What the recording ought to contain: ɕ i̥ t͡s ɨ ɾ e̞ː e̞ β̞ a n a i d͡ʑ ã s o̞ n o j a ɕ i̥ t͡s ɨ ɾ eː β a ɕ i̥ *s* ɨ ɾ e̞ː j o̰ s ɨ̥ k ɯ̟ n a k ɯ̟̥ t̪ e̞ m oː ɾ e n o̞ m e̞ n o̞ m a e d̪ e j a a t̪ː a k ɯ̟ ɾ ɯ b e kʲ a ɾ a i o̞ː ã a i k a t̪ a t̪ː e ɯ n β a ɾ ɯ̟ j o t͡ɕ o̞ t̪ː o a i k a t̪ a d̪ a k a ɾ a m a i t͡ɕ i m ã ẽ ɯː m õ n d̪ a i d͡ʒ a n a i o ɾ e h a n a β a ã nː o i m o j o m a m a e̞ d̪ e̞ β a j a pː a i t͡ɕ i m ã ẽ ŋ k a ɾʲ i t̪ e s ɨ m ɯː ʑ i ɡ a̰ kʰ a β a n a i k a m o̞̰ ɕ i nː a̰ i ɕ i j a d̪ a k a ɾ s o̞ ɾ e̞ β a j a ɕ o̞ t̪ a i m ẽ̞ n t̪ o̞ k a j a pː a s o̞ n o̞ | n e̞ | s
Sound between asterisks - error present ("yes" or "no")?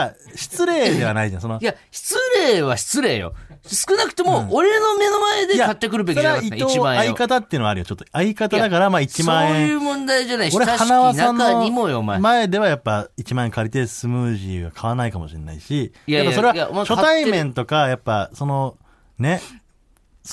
yes